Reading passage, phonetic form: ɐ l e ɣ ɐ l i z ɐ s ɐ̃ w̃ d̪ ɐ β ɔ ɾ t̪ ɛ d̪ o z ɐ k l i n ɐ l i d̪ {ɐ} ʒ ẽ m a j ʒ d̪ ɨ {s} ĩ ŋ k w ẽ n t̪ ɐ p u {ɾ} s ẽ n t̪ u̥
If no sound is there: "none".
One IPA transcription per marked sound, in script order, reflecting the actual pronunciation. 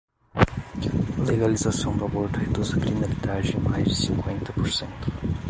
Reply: a, s, ɾ

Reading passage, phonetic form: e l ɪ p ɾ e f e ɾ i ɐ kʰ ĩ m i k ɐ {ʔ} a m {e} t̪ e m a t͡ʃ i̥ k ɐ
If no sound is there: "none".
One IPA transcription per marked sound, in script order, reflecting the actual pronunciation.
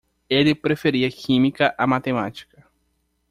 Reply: ʔ, a

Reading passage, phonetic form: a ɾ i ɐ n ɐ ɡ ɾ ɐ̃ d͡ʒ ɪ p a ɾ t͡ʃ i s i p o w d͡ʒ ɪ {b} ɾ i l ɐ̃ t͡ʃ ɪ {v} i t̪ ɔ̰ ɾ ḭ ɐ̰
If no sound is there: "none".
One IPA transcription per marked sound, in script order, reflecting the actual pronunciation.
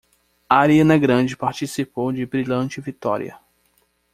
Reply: b, v

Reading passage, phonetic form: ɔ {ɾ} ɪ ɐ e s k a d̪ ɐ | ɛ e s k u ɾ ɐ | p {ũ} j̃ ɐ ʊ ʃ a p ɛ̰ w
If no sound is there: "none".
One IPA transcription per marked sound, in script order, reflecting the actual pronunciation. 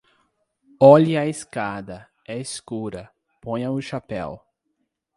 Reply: ʎ, õ

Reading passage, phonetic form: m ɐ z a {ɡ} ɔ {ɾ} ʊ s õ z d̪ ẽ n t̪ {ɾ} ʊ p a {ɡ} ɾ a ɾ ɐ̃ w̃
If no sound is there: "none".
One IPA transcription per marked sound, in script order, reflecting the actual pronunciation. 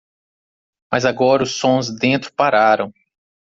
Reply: ɡ, ɾ, ɾ, none

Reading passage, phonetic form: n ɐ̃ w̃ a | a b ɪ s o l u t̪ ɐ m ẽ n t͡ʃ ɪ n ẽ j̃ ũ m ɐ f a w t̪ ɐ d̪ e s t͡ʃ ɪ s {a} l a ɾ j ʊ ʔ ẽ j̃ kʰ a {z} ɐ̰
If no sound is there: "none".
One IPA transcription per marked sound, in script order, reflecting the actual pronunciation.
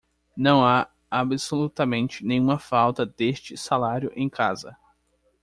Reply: a, z

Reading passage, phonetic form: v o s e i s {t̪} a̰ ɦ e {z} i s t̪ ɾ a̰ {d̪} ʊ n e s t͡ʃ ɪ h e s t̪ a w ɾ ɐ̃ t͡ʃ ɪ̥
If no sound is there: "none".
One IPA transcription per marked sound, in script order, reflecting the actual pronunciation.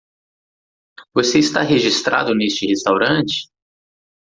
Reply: t̪, ʒ, d̪

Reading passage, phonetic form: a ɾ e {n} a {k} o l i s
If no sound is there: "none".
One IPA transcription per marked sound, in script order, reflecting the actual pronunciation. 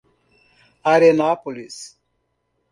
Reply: n, p

